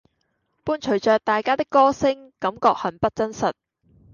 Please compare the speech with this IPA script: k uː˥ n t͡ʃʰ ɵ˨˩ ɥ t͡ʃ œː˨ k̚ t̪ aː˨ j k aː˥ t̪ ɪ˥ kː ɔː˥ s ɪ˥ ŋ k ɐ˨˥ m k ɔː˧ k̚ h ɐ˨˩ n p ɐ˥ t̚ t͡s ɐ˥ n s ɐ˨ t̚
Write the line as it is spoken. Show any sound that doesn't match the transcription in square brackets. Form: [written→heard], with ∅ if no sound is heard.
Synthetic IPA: [k→p] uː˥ n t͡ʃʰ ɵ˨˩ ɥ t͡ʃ œː˨ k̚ t̪ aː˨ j k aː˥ t̪ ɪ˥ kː ɔː˥ s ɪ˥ ŋ k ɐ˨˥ m k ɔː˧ k̚ h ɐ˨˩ n p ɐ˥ t̚ t͡s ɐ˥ n s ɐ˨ t̚